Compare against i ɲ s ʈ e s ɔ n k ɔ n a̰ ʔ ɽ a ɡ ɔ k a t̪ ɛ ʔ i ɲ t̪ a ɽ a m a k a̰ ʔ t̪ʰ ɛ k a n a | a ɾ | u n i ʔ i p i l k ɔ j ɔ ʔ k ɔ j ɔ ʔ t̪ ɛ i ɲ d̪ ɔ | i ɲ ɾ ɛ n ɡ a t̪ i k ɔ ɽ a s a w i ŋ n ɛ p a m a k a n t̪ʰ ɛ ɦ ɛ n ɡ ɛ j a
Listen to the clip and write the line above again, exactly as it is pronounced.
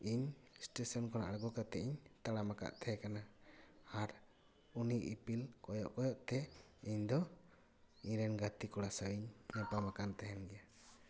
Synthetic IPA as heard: i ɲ s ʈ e s ɔ n k ɔ n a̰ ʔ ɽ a ɡ ɔ k a t̪ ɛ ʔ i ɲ t̪ a ɽ a m a k a̰ ʔ t̪ʰ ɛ k a n a | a ɾ | u n i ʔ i p i l k ɔ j ɔ ʔ k ɔ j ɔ ʔ t̪ ɛ i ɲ d̪ ɔ | i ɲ ɾ ɛ n ɡ a t̪ i k ɔ ɽ a s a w i ɲ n ɛ p a m a k a n t̪ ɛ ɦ ɛ n ɡ ɛ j a

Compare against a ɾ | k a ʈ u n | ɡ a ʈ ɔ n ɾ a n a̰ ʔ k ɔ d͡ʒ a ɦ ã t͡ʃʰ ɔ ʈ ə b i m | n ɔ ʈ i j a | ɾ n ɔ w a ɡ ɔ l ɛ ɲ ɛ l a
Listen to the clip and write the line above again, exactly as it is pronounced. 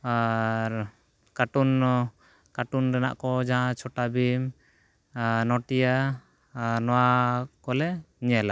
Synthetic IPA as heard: a ɾ | k a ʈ u n | k a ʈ u n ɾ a n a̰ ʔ k ɔ d͡ʒ a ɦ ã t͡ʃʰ ɔ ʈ a b i m | n ɔ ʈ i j a | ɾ n ɔ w a k ɔ l ɛ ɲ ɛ l a

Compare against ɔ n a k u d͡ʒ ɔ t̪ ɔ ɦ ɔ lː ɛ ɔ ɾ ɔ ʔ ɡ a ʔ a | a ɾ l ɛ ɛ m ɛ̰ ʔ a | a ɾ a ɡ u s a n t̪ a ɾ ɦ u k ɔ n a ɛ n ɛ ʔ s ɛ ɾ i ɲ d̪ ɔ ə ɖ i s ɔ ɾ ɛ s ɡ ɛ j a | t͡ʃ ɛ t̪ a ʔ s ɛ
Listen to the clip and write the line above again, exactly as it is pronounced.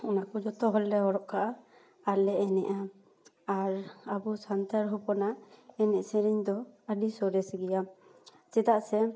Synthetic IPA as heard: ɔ n a k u d͡ʒ ɔ t̪ ɔ ɦ ɔ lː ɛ ɔ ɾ ɔ ʔ k a ʔ a | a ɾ l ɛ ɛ n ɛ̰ ʔ a | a ɾ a b u s a n t̪ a ɾ ɦ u p ɔ n a ɛ n ɛ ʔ s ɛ ɾ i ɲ d̪ ɔ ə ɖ i s ɔ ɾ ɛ s ɡ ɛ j a | t͡ʃ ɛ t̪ a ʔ s ɛ

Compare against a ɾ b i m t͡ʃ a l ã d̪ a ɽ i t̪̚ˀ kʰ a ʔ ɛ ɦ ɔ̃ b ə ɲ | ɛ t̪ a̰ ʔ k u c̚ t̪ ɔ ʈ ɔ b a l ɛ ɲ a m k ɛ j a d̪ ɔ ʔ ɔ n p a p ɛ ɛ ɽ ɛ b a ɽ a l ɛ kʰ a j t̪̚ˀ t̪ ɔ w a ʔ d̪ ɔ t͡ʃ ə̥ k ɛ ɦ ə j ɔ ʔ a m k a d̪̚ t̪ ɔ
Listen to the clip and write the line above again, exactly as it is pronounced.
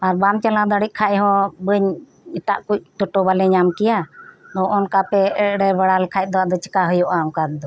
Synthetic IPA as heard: a ɾ b a m t͡ʃ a l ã d̪ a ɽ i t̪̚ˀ kʰ a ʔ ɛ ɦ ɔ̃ b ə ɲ | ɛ t̪ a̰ ʔ k u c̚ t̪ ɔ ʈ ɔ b a l ɛ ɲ a m k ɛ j a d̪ ɔ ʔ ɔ n k a p ɛ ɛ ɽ ɛ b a ɽ a l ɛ kʰ a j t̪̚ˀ d̪ ɔ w a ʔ d̪ ɔ t͡ʃ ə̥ k a ɦ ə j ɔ ʔ a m k a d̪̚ d̪ ɔ

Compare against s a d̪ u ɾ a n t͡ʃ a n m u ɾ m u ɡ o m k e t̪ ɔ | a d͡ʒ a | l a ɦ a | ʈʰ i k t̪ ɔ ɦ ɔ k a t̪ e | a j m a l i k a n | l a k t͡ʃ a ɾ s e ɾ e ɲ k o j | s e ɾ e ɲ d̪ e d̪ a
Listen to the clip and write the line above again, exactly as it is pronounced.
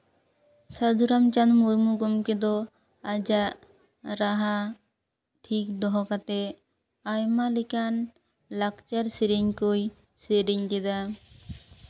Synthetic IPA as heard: s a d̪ u ɾ a m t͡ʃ a n m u ɾ m u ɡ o m k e d̪ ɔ | a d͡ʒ a | ɾ a ɦ a | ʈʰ i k d̪ ɔ ɦ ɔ k a t̪ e | a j m a l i k a n | l a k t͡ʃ a ɾ s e ɾ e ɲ k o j | s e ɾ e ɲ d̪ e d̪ a

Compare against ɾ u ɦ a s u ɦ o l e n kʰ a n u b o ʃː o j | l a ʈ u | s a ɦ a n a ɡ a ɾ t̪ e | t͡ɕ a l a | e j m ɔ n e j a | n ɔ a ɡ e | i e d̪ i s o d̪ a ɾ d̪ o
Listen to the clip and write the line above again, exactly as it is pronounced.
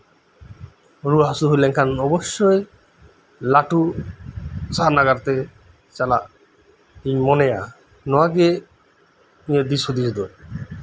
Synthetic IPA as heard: ɾ u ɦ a s u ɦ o l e ŋ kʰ a n ɔ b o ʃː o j | l a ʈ u | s a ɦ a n a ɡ a ɾ t̪ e | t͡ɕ a l a | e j m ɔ n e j a | n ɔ a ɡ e | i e d̪ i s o d̪ i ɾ d̪ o

